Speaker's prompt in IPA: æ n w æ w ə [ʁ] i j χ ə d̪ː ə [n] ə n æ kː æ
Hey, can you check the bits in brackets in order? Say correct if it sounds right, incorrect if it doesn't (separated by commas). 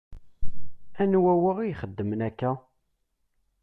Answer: correct, incorrect